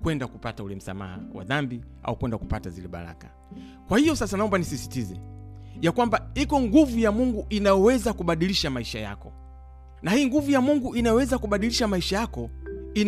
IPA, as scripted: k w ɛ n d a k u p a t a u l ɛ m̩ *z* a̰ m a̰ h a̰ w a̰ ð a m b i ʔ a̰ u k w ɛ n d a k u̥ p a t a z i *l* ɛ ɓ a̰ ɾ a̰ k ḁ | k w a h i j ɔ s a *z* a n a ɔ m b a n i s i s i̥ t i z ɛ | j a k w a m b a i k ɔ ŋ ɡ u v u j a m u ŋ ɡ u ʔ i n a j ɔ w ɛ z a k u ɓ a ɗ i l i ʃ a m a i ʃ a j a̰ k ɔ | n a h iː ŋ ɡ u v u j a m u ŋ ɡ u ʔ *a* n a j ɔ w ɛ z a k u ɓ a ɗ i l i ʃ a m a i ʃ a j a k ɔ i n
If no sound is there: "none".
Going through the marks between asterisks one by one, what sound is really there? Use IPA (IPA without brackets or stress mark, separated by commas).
s, l, s, i